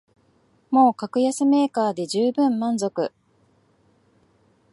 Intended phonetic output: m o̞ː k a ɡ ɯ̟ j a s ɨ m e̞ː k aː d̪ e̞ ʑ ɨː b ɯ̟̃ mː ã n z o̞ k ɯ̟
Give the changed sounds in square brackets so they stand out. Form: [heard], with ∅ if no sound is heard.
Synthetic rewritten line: m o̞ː k a [k] ɯ̟ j a s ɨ m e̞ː k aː d̪ e̞ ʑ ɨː b ɯ̟̃ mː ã n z o̞ k ɯ̟

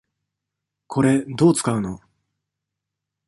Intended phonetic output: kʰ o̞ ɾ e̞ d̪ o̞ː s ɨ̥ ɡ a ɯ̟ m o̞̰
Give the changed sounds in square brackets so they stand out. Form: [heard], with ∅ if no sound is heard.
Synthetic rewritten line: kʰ o̞ ɾ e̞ d̪ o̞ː [t͡s] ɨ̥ [k] a ɯ̟ [n] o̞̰

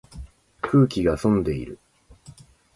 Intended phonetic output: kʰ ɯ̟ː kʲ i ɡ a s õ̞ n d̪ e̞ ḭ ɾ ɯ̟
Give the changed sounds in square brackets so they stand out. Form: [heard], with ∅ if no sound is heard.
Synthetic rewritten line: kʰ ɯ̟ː kʲ i ɡ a s õ̞ n d̪ e̞ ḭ ɾ ɯ̟

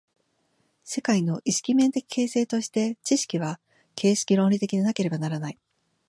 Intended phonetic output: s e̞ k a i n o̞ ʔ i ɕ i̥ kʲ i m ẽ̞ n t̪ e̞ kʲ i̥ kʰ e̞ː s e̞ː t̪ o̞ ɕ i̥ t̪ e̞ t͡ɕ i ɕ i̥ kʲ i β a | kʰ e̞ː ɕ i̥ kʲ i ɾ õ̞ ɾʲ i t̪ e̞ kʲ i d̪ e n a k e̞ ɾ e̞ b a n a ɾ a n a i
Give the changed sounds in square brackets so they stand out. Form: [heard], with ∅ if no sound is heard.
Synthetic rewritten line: s e̞ k a i n o̞ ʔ i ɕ i̥ kʲ i m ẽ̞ n t̪ e̞ kʲ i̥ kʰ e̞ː s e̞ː t̪ o̞ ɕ i̥ t̪ e̞ t͡ɕ i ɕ i̥ kʲ i β a | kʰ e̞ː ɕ i̥ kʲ i ɾ õ̞ ɾʲ i t̪ e̞ kʲ i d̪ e n a k e̞ ɾ e̞ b a n a ɾ a n a i

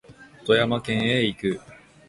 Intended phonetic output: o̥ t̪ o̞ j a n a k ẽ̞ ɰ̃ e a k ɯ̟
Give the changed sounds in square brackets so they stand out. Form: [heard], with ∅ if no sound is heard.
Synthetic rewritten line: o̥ t̪ o̞ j a [m] a k ẽ̞ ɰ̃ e [i] k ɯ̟

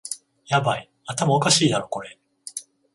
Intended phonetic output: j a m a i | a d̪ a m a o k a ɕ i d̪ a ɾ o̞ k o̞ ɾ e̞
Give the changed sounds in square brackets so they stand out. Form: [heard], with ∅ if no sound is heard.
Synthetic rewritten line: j a [b] a i | a [t̪] a m a o k a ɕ [iː] d̪ a ɾ o̞ k o̞ ɾ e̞

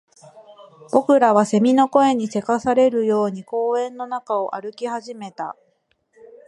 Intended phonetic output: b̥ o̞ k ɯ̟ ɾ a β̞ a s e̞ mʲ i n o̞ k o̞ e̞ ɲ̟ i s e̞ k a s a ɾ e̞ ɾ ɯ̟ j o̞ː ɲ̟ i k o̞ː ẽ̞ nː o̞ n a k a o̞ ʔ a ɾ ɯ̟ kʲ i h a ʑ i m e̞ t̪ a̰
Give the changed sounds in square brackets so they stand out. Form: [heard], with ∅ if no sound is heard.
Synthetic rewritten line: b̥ o̞ k ɯ̟ ɾ a β̞ a s e̞ mʲ i n o̞ k o̞ e̞ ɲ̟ i s e̞ k a s a ɾ e̞ ɾ ɯ̟ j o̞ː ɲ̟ i k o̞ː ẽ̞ nː o̞ n a k a o̞ ʔ a ɾ ɯ̟ kʲ i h a ʑ i m e̞ t̪ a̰

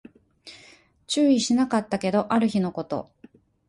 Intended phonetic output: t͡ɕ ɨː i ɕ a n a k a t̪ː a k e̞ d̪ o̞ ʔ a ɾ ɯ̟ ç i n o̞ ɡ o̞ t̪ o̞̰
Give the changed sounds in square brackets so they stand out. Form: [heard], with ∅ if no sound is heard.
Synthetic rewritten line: t͡ɕ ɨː i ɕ [i] n a k a t̪ː a k e̞ d̪ o̞ ʔ a ɾ ɯ̟ ç i n o̞ [k] o̞ t̪ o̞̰

